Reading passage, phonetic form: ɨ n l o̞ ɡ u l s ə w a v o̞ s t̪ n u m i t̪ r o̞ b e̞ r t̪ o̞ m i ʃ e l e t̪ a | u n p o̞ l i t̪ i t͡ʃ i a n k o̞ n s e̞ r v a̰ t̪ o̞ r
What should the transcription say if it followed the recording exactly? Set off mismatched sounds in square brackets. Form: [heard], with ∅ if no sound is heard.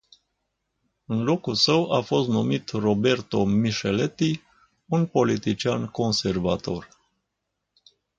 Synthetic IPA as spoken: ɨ n l o̞ [k] u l s ə w a [f] o̞ s t̪ n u m i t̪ r o̞ b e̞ r t̪ o̞ m i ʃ e l e t̪ [i] | u n p o̞ l i t̪ i t͡ʃ i a n k o̞ n s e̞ r v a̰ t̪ o̞ r